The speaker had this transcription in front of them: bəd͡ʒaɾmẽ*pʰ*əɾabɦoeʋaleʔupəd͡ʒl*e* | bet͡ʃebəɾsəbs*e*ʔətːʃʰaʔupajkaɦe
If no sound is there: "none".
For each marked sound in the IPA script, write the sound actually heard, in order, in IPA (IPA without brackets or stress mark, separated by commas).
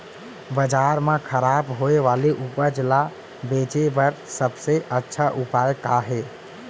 kʰ, a, e